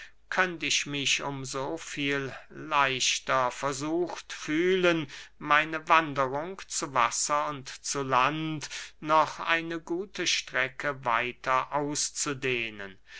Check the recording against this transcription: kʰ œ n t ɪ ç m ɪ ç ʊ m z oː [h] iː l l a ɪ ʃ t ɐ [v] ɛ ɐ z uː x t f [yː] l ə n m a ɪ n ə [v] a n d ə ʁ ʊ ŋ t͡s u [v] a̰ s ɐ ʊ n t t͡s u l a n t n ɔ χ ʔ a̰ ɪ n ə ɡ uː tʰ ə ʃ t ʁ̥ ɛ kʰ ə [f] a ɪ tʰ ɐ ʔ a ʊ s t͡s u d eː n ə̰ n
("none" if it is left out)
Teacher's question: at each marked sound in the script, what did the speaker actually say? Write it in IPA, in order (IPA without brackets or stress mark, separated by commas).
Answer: f, f, yː, v, v, v